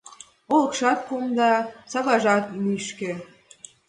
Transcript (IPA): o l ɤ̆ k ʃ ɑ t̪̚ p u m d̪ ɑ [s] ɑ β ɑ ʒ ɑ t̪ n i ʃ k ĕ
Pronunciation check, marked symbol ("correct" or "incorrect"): correct